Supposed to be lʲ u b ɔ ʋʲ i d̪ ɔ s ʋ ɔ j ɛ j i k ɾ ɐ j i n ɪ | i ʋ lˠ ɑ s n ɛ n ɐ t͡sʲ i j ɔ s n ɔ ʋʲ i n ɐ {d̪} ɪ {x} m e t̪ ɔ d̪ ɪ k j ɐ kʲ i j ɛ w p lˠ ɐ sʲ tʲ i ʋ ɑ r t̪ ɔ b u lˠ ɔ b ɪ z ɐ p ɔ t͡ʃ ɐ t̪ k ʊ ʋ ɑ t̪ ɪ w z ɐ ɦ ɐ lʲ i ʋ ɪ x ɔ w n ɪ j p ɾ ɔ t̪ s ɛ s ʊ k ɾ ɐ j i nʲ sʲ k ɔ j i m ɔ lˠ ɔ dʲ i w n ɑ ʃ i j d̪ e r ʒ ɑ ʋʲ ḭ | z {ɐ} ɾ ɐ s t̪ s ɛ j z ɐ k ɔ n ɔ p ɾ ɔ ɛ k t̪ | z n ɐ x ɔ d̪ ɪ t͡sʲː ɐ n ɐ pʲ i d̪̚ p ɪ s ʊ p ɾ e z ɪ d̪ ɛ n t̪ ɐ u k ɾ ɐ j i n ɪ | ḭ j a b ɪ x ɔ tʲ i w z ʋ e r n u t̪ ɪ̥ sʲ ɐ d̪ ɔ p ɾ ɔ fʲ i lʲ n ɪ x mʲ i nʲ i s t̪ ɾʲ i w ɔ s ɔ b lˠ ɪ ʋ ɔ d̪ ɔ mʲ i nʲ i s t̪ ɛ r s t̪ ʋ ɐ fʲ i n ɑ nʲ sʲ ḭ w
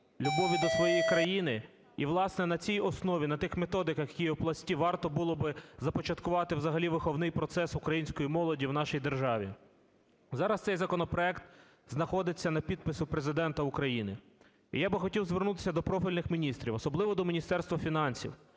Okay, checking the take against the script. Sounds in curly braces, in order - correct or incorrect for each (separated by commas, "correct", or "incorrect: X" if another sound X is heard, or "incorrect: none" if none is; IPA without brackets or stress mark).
incorrect: t̪, correct, incorrect: ɑ